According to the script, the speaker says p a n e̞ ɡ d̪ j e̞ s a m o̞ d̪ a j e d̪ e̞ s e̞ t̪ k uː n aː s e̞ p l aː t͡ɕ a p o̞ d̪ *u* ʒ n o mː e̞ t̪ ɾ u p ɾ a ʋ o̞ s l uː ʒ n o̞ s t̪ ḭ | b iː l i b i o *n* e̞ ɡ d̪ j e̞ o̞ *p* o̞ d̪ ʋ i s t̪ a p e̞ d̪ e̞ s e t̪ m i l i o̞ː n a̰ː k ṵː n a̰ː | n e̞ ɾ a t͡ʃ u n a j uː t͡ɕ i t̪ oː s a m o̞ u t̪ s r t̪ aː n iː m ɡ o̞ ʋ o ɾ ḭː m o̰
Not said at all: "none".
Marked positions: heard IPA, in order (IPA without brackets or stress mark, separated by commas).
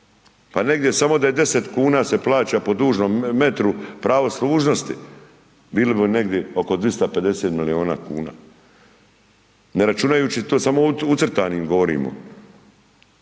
uː, n, k